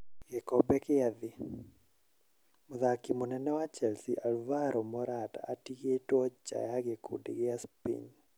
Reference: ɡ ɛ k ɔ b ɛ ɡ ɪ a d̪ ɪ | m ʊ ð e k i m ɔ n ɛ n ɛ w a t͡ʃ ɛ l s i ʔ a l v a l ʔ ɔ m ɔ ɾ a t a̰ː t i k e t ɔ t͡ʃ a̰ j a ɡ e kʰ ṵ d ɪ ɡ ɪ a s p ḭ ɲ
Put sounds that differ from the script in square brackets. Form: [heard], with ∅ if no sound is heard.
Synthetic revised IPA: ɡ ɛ k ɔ b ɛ [k] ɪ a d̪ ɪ | m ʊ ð [a] k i m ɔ n ɛ n ɛ w a t͡ʃ ɛ l s i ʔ a l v a [ɾ] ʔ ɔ m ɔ ɾ a t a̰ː t i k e t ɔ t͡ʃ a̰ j a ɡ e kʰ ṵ d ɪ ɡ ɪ a s p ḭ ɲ